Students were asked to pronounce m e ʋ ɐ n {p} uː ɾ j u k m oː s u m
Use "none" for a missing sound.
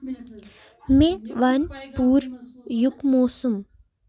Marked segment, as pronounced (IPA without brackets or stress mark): p